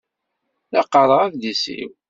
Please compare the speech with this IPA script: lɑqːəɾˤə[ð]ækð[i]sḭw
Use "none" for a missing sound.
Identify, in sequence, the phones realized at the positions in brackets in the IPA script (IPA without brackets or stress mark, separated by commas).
ʁ, i